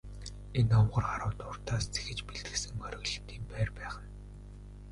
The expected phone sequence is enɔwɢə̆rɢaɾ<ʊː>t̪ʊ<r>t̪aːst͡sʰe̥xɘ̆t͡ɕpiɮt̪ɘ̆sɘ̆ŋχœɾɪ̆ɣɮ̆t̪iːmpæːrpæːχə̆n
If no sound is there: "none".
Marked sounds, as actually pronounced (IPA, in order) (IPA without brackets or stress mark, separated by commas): ʊː, r